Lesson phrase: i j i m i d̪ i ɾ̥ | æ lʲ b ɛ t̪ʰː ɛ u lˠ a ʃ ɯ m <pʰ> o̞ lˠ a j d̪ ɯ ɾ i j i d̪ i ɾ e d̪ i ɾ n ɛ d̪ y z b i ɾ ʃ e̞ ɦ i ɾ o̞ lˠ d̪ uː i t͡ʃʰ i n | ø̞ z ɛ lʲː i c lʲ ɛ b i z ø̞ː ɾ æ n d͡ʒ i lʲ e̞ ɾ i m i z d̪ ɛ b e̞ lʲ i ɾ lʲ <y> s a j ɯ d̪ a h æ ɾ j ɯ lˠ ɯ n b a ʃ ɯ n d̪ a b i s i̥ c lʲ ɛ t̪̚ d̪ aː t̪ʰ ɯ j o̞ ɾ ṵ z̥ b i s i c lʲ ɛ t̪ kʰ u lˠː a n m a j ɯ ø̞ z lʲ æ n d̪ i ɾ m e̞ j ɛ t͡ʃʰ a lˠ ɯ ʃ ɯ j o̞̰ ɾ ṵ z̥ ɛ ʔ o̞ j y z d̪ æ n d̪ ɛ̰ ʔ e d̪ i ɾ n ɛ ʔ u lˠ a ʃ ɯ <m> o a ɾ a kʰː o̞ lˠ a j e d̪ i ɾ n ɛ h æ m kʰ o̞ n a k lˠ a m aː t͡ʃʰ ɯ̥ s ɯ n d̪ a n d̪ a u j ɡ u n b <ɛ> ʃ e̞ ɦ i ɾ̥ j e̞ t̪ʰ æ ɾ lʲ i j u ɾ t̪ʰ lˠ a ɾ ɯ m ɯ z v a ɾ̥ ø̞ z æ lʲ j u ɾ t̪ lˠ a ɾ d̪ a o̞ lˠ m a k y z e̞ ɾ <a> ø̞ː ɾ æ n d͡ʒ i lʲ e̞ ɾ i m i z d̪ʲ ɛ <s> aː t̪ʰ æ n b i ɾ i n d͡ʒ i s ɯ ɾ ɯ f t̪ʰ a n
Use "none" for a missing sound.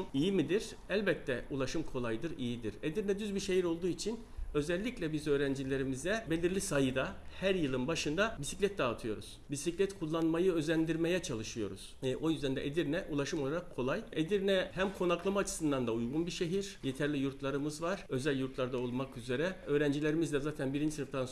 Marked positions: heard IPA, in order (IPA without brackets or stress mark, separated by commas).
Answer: kʰ, i, m, i, ɛ, z